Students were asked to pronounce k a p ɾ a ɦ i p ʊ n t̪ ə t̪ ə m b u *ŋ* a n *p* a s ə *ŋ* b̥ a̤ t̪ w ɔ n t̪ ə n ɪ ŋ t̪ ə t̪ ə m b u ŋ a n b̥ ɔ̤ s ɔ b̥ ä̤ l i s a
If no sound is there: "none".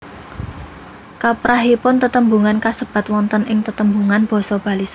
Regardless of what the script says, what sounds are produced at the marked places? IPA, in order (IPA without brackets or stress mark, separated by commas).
ŋ, k, none